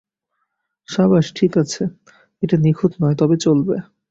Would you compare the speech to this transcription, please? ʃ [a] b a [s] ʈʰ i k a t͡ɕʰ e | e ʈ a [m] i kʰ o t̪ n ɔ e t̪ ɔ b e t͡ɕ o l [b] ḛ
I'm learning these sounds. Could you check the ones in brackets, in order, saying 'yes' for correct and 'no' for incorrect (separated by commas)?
yes, no, no, yes